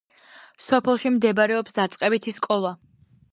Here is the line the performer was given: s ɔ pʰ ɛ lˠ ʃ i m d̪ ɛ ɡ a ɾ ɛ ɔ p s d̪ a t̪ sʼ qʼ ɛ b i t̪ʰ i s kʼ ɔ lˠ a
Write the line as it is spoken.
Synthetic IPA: s ɔ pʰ ɛ lˠ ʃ i m d̪ ɛ b a ɾ ɛ ɔ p s d̪ a t̪ sʼ qʼ ɛ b i t̪ʰ i s kʼ ɔ lˠ a